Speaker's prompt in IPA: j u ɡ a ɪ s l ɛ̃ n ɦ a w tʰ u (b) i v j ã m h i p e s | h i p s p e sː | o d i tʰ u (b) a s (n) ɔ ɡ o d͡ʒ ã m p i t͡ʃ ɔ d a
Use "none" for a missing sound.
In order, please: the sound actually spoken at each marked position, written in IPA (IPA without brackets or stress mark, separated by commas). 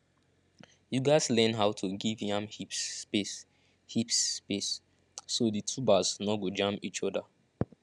ɡ, b, n